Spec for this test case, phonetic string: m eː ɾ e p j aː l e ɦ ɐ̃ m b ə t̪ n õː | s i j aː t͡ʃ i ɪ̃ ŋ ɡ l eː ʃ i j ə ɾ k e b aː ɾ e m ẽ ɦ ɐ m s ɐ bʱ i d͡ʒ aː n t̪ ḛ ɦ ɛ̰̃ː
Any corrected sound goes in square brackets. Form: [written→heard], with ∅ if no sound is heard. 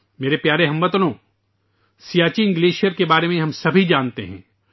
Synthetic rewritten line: m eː ɾ e p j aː [l→ɾ] e ɦ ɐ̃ m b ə t̪ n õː | s i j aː t͡ʃ i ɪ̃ ŋ ɡ l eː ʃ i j ə ɾ k e b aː ɾ e m ẽ ɦ ɐ m s ɐ bʱ i d͡ʒ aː n t̪ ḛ ɦ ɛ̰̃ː